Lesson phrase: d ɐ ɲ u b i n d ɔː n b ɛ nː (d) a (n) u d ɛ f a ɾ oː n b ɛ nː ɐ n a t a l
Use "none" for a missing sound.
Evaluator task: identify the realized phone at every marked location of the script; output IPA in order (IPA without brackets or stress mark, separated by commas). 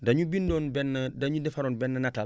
d, ɲ